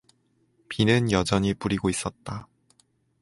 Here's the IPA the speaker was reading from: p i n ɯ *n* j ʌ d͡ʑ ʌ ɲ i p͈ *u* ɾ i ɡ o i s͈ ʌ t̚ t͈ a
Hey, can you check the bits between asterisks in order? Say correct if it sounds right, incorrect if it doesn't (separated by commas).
correct, correct